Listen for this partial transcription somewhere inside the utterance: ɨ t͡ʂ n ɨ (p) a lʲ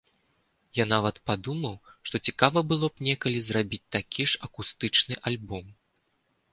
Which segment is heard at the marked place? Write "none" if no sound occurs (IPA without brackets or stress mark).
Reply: ʔ